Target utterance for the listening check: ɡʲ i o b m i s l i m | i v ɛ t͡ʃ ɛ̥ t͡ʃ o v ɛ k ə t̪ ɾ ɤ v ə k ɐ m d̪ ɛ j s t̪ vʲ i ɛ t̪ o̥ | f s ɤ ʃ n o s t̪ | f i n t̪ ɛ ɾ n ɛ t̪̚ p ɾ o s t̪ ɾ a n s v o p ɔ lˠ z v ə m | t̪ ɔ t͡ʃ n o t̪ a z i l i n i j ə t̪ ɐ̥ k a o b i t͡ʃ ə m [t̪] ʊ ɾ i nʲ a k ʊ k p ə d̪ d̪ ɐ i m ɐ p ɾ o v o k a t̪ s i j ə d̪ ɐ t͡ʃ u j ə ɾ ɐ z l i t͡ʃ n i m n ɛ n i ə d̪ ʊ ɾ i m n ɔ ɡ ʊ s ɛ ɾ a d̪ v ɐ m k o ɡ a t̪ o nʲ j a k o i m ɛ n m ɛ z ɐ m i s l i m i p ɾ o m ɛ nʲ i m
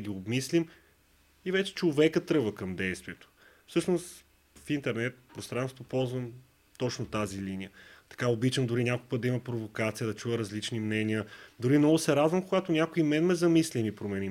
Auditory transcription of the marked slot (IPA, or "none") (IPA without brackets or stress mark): d̪